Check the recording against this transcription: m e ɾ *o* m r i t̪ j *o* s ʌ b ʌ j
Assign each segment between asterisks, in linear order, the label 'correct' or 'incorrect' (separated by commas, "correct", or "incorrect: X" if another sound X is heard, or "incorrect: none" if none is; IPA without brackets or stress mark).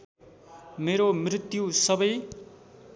correct, incorrect: u